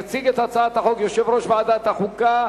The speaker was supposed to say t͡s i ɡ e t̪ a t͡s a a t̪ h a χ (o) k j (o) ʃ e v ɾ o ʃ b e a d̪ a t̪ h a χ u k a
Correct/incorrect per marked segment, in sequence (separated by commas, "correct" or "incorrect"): correct, correct